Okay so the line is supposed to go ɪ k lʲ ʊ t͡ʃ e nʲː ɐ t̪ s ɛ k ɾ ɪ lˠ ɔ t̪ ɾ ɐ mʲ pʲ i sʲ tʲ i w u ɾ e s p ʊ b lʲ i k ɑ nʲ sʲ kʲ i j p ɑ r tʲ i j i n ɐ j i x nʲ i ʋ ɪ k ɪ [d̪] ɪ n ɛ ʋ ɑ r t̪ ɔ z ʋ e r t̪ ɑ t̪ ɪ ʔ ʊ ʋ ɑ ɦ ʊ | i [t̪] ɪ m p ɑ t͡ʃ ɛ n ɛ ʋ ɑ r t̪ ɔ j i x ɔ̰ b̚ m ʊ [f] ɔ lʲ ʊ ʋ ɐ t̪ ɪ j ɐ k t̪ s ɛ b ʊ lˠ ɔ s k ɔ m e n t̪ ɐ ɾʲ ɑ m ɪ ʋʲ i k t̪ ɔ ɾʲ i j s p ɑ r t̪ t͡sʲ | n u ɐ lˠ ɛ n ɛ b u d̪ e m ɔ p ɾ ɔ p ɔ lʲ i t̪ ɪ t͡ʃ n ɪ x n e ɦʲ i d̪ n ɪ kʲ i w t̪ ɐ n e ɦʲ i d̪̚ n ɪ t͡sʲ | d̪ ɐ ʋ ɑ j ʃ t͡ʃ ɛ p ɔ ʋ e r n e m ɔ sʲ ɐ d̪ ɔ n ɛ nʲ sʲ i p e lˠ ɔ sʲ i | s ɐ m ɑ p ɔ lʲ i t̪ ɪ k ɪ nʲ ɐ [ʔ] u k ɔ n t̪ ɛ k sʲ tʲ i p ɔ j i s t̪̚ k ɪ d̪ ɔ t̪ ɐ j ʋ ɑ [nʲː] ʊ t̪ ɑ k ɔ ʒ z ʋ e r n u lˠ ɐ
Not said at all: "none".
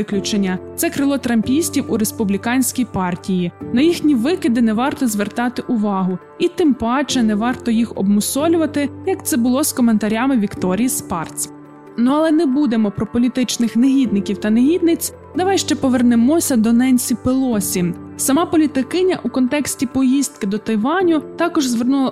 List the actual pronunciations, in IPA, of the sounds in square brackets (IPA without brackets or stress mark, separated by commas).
d̪, t̪, s, ʔ, nʲ